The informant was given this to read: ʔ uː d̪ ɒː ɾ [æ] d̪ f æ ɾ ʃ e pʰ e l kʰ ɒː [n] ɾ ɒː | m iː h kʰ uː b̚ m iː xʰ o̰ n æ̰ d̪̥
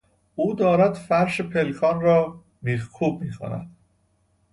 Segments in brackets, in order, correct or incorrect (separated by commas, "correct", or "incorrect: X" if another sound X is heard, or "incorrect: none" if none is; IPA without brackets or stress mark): correct, correct